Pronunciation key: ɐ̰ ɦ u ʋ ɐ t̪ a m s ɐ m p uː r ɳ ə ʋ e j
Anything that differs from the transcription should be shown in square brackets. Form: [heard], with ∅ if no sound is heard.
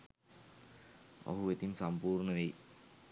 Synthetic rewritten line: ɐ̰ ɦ u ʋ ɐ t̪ [i] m s ɐ m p uː r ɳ [ɐ] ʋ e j